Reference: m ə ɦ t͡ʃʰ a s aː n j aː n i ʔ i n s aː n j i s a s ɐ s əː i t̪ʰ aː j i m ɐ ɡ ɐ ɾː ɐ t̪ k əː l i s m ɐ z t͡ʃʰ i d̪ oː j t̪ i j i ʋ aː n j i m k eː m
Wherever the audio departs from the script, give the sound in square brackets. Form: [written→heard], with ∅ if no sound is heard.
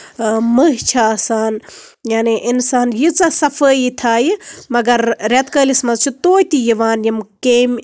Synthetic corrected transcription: m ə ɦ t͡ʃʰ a s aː n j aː n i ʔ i n s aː n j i [s→t͡s] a s ɐ [s→f] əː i t̪ʰ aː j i m ɐ ɡ ɐ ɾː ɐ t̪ k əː l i s m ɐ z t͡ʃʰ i [d̪→t̪] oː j t̪ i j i ʋ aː n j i m k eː m